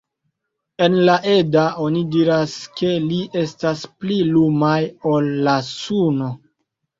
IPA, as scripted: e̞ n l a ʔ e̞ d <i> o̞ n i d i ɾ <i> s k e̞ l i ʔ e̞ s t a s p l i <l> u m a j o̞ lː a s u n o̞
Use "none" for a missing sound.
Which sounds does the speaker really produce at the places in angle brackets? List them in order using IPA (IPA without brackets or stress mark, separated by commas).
a, a, l